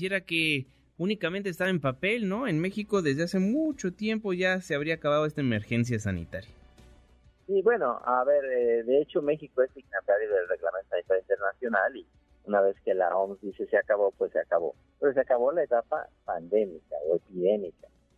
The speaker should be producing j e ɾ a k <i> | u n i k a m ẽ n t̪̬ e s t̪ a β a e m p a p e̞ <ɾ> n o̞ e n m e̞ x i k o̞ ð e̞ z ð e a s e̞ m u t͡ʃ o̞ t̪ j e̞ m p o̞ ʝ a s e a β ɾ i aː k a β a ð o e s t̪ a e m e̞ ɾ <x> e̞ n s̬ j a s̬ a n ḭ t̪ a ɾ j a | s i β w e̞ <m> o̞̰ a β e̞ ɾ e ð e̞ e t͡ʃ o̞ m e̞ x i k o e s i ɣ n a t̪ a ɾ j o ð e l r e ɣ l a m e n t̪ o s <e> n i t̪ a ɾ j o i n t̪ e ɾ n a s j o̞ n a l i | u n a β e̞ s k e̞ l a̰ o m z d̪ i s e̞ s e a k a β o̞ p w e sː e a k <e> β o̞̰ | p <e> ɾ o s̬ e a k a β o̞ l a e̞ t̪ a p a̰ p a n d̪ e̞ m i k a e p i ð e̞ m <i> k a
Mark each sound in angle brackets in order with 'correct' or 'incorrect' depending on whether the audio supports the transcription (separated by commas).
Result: incorrect, incorrect, correct, incorrect, incorrect, incorrect, correct, correct